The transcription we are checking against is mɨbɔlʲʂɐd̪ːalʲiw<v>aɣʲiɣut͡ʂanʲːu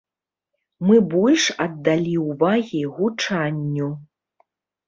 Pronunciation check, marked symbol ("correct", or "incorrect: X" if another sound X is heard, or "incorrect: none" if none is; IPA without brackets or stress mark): correct